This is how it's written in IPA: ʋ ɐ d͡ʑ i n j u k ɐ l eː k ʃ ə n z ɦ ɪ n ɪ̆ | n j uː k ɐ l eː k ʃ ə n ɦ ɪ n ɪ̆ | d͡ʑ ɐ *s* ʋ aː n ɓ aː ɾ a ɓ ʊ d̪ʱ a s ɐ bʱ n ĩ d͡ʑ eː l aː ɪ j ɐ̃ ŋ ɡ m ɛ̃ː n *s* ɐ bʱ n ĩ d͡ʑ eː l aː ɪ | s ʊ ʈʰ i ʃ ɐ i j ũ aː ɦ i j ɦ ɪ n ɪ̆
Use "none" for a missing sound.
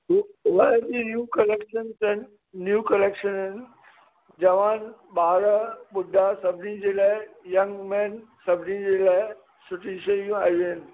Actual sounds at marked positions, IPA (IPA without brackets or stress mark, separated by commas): none, s